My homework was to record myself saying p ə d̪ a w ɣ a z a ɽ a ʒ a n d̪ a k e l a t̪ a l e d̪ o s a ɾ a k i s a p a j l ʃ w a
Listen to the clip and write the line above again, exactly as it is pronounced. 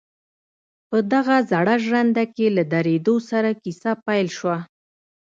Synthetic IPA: p ə d̪ a ɣ a z a ɽ a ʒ a n d̪ a k e l a d̪ a ɾ e d̪ o s a ɾ a k i s a p a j l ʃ w a